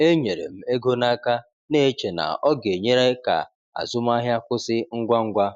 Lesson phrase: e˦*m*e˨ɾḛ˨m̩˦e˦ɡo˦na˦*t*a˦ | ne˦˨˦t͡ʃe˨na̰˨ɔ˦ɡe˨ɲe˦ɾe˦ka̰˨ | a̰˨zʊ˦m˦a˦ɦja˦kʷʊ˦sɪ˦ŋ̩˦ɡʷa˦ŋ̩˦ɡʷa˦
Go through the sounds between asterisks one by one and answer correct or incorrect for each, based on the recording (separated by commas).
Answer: incorrect, incorrect